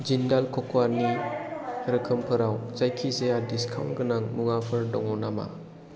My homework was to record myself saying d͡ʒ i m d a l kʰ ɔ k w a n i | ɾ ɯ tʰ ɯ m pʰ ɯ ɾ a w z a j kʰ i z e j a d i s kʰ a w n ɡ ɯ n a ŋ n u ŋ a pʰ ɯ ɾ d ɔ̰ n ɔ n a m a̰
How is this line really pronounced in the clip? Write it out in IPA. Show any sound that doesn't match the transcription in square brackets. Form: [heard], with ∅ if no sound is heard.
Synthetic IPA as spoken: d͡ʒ i [n] d a l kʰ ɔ k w a n i | ɾ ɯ [kʰ] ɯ m pʰ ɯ ɾ a w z a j kʰ i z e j a d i s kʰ a w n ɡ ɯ n a ŋ [m] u ŋ a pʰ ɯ ɾ d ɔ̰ [ŋ] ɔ n a m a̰